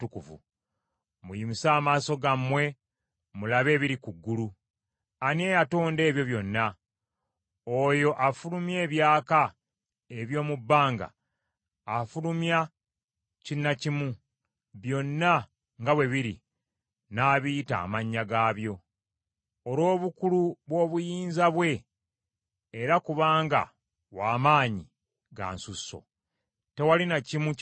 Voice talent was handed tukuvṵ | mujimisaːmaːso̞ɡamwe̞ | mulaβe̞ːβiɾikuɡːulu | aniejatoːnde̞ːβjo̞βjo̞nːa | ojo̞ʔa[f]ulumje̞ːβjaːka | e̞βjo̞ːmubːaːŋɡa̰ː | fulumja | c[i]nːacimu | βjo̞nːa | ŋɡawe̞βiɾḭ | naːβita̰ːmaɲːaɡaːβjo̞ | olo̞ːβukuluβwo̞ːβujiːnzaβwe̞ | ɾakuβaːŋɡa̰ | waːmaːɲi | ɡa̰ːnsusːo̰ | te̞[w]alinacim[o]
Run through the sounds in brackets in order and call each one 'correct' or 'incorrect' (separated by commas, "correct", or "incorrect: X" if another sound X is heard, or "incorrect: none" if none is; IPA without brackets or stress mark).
correct, correct, correct, incorrect: u